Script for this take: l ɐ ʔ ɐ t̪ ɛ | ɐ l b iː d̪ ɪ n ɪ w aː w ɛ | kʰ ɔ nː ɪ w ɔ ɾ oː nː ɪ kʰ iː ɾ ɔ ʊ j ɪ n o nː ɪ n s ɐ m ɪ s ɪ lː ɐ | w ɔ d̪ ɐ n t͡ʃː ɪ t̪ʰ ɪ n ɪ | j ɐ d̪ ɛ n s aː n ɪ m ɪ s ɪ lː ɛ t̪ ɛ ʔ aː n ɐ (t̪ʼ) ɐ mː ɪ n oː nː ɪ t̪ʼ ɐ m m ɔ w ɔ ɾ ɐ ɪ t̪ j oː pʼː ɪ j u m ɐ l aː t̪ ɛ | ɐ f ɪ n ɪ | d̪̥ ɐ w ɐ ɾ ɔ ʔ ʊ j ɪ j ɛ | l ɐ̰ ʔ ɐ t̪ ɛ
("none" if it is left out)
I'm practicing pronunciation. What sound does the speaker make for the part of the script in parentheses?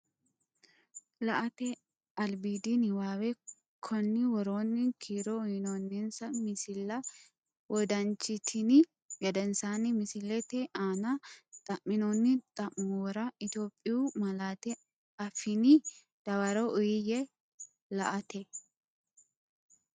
t̪ʼ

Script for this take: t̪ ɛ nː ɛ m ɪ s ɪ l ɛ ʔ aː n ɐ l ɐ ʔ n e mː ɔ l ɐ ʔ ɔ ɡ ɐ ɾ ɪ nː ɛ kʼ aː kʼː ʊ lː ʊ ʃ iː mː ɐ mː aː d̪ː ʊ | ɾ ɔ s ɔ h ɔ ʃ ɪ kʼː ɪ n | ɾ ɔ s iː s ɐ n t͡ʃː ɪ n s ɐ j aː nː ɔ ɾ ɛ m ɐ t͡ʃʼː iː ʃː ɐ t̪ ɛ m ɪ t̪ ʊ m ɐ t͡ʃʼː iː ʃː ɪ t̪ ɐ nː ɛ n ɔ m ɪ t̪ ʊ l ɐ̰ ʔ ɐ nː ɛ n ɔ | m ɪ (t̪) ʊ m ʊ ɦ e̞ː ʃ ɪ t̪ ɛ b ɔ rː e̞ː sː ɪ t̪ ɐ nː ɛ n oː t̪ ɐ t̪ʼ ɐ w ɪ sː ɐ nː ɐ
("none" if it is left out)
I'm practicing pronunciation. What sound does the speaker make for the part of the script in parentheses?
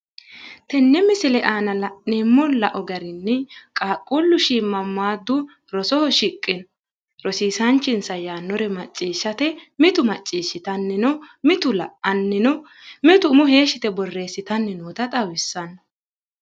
t̪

